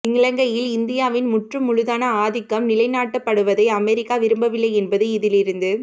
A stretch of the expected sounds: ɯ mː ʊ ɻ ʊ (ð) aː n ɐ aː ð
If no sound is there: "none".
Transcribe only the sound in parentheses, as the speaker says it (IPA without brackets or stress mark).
ð